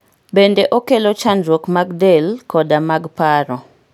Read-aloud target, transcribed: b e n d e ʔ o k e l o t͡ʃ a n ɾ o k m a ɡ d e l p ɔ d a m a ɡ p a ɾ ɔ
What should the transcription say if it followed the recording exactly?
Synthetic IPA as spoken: b e n d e ʔ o k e l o t͡ʃ a n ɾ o k m a ɡ d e l k ɔ d a m a ɡ p a ɾ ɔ